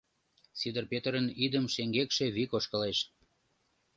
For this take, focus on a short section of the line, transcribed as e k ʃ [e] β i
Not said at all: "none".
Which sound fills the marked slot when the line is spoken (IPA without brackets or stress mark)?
e